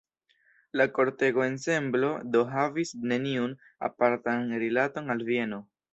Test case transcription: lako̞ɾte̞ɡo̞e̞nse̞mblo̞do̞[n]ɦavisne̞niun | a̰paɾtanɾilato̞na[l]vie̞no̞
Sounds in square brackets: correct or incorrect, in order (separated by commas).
incorrect, correct